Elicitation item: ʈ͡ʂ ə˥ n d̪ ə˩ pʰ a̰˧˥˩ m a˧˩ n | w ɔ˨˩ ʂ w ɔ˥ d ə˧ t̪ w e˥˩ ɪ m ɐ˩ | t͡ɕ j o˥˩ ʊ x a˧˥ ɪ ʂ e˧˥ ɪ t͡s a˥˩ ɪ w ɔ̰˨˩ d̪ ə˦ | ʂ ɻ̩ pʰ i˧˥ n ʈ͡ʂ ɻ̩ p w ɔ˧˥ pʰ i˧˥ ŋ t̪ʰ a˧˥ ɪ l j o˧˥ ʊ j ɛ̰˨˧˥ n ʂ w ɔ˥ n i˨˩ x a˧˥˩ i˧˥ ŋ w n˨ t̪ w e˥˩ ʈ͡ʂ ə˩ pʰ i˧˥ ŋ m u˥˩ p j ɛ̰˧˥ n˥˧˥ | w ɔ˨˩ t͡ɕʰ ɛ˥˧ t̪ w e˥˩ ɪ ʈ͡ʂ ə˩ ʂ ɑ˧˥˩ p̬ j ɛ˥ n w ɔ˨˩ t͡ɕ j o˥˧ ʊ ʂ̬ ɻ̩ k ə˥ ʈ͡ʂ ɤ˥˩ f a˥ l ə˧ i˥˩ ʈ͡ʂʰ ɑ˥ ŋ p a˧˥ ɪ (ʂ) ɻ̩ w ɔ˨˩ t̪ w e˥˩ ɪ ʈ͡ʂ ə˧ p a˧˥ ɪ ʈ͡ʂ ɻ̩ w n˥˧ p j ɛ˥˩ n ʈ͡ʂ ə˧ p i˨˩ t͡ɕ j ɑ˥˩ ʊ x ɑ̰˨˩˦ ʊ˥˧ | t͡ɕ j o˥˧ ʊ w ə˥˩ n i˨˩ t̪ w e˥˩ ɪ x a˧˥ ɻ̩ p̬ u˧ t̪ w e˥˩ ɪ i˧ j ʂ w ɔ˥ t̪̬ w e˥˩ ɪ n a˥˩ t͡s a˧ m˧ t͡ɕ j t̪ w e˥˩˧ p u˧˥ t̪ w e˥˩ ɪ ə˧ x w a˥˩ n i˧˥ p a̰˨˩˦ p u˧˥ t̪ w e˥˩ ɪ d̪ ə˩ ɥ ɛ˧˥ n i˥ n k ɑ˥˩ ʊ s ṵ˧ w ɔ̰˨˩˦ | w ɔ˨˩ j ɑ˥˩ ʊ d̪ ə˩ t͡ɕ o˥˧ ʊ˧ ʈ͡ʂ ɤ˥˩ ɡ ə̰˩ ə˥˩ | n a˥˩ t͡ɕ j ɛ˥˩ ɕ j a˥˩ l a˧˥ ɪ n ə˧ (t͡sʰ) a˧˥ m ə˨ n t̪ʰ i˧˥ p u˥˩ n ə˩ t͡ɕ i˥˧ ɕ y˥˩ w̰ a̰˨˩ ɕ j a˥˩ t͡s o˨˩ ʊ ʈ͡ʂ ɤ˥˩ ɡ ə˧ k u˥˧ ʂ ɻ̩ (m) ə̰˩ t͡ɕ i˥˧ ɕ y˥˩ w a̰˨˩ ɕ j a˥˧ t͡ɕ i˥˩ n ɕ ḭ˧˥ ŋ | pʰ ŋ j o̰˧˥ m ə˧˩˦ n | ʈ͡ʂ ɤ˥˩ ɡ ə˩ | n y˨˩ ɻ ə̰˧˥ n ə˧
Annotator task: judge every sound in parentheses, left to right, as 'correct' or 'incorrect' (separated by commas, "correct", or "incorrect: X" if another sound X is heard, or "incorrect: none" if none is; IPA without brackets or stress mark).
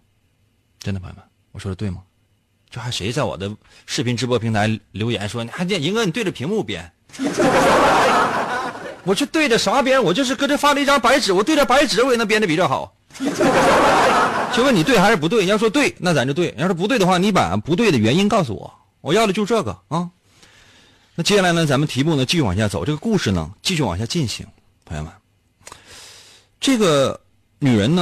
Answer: incorrect: ʈ͡ʂ, incorrect: t͡s, incorrect: n